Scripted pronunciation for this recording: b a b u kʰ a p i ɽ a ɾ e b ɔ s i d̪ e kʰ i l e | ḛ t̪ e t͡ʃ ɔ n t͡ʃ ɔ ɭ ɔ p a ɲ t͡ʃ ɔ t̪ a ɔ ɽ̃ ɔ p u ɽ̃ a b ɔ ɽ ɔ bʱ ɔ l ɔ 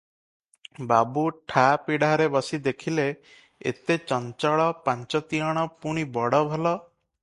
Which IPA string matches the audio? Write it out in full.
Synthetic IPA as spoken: b a b u ʈʰ a p i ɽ a ɾ e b ɔ s i d̪ e kʰ i l e | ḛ t̪ e t͡ʃ ɔ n t͡ʃ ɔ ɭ ɔ p a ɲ t͡ʃ ɔ t̪ i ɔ ɽ̃ ɔ p u ɽ̃ i b ɔ ɽ ɔ bʱ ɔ l ɔ

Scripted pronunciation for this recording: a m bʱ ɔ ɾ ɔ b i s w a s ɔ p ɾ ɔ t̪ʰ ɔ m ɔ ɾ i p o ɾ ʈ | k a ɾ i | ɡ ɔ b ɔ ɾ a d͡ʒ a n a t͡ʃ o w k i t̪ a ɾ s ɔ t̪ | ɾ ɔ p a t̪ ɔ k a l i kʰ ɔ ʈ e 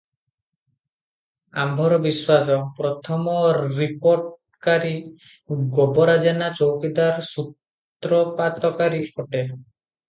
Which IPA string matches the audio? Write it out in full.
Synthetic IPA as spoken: a m bʱ ɔ ɾ ɔ b i s w a s ɔ p ɾ ɔ t̪ʰ ɔ m ɔ ɾ i p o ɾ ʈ | k a ɾ i | ɡ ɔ b ɔ ɾ a d͡ʒ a n a t͡ʃ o w k i d̪ a ɾ s u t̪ | ɾ ɔ p a t̪ ɔ k a ɾ i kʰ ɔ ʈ e

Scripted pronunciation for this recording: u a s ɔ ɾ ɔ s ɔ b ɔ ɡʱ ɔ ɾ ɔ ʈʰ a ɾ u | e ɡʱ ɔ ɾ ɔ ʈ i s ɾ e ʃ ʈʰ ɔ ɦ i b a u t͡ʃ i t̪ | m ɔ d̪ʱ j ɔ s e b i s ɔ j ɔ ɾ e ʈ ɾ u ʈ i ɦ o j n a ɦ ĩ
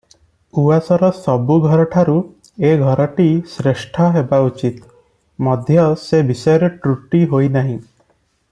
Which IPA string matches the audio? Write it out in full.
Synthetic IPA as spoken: u a s ɔ ɾ ɔ s ɔ b u ɡʱ ɔ ɾ ɔ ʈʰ a ɾ u | e ɡʱ ɔ ɾ ɔ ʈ i s ɾ e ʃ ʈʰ ɔ ɦ e b a u t͡ʃ i t̪ | m ɔ d̪ʱ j ɔ s e b i s ɔ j ɔ ɾ e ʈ ɾ u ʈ i ɦ o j n a ɦ ĩ

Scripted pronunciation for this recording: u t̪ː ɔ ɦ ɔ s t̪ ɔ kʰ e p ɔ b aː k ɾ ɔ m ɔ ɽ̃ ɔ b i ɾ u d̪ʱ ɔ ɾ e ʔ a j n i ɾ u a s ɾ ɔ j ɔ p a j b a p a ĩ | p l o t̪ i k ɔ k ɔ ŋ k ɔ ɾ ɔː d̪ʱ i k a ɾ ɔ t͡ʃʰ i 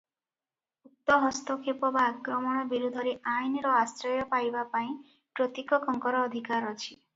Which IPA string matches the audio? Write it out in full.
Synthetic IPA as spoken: u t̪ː ɔ ɦ ɔ s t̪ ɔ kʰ e p ɔ b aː k ɾ ɔ m ɔ ɽ̃ ɔ b i ɾ u d̪ʱ ɔ ɾ e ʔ a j n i ɾ ɔ a s ɾ ɔ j ɔ p a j b a p a ĩ | p ɾ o t̪ i k ɔ k ɔ ŋ k ɔ ɾ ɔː d̪ʱ i k a ɾ ɔ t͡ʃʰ i

